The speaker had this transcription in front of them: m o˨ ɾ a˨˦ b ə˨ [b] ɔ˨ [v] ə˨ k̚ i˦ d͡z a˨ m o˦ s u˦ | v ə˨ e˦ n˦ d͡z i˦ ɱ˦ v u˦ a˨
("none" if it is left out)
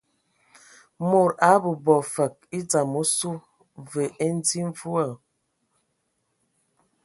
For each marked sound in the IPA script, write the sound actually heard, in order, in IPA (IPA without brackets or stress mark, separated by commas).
b, f